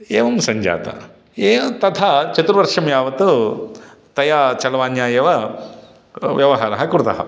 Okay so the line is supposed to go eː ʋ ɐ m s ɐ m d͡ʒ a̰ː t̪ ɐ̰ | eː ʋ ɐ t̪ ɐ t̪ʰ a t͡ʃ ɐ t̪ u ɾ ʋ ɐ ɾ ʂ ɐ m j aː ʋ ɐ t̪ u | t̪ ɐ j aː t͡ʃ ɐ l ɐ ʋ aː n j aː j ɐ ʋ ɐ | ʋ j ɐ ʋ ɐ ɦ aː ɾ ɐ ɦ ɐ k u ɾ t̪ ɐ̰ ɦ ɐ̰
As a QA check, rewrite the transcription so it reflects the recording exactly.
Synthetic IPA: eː ʋ ɐ m s ɐ ɲ d͡ʒ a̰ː t̪ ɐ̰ | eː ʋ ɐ t̪ ɐ t̪ʰ a t͡ʃ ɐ t̪ u ɾ ʋ ɐ ɾ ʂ ɐ m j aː ʋ ɐ t̪ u | t̪ ɐ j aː t͡ʃ ɐ l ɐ ʋ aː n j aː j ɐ ʋ ɐ | ʋ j ɐ ʋ ɐ ɦ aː ɾ ɐ ɦ ɐ k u ɾ t̪ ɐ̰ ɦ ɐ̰

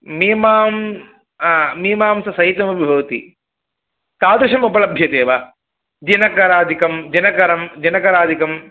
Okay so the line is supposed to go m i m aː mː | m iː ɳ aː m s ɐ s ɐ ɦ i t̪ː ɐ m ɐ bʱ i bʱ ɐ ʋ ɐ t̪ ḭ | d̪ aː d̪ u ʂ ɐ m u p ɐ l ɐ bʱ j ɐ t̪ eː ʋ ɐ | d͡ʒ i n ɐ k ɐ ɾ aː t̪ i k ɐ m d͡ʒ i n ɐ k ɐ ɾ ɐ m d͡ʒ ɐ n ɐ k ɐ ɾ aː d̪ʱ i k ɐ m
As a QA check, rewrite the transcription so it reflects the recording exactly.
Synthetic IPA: m i m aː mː | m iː m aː m s ɐ s ɐ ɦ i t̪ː ɐ m ɐ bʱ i bʱ ɐ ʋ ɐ t̪ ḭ | t̪ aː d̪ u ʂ ɐ m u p ɐ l ɐ bʱ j ɐ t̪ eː ʋ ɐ | d͡ʒ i n ɐ k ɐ ɾ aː d̪ i k ɐ m d͡ʒ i n ɐ k ɐ ɾ ɐ m d͡ʒ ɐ n ɐ k ɐ ɾ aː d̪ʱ i k ɐ m

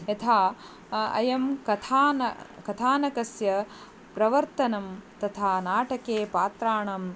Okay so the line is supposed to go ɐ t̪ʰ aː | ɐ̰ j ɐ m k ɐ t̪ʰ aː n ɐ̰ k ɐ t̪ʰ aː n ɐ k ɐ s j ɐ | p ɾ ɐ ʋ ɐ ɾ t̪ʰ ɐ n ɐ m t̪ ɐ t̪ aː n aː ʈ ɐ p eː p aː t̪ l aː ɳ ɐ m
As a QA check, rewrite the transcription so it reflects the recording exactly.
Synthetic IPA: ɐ t̪ʰ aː | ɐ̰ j ɐ m k ɐ t̪ʰ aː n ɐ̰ k ɐ t̪ʰ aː n ɐ k ɐ s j ɐ | p ɾ ɐ ʋ ɐ ɾ t̪ ɐ n ɐ m t̪ ɐ t̪ʰ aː n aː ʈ ɐ k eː p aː t̪ ɾ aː ɳ ɐ m

